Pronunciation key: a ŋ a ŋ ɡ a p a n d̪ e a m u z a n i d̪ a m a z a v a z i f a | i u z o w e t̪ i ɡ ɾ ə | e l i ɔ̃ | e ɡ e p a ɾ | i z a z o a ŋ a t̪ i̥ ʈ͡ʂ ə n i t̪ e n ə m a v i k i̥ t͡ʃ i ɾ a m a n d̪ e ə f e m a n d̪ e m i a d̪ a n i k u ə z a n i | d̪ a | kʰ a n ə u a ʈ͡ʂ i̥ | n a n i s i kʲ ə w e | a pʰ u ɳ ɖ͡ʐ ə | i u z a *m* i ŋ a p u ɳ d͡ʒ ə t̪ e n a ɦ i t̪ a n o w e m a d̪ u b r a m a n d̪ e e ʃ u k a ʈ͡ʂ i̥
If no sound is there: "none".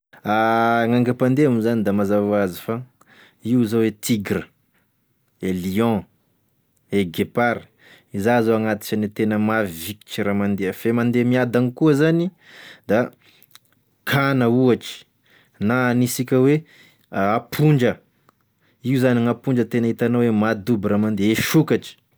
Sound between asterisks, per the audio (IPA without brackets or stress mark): n